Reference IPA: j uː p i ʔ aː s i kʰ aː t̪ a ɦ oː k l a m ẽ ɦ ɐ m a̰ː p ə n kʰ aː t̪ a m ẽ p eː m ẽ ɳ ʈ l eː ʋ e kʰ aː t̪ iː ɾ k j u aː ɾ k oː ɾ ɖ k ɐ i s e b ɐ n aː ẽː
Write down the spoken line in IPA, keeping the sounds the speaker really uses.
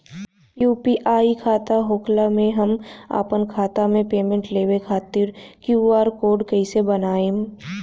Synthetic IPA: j uː p i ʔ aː i kʰ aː t̪ a ɦ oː k l a m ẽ ɦ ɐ m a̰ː p ə n kʰ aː t̪ a m ẽ p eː m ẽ ɳ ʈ l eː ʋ e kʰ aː t̪ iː ɾ k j u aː ɾ k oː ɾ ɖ k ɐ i s e b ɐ n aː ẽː